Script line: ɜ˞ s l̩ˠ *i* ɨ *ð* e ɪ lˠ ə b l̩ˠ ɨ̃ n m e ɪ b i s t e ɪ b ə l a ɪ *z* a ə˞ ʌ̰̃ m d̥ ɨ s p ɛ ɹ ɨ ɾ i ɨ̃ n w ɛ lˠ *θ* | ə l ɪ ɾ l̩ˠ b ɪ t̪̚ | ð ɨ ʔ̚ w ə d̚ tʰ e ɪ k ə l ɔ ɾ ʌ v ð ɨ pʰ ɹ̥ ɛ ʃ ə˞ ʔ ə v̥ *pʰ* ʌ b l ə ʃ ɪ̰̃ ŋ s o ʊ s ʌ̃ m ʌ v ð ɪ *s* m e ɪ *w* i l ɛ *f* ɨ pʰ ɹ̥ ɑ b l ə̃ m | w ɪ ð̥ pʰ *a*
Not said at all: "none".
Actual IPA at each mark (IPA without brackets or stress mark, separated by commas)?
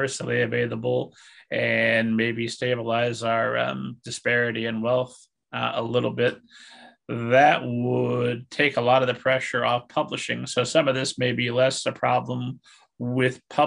i, v, z, θ, pʰ, s, b, s, ʌ